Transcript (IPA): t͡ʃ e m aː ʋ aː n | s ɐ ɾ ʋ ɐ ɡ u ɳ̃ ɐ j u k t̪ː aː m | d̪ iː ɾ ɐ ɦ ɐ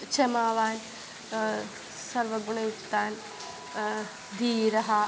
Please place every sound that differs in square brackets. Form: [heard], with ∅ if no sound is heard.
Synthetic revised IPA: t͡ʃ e m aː ʋ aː n | s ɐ ɾ ʋ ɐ ɡ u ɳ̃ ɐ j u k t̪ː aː [n] | d̪ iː ɾ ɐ ɦ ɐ